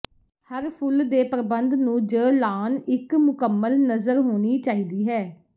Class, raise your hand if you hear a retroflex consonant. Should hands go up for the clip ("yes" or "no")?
no